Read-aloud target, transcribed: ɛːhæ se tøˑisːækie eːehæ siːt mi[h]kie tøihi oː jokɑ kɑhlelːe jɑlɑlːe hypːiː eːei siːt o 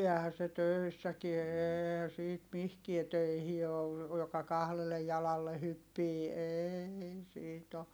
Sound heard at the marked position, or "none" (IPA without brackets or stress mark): h